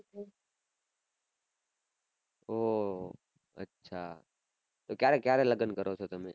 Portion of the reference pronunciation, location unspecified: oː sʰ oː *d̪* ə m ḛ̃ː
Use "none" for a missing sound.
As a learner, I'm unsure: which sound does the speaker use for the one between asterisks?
t̪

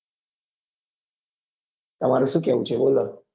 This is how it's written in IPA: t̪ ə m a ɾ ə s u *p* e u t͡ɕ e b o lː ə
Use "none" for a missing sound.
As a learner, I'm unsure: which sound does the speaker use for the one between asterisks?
k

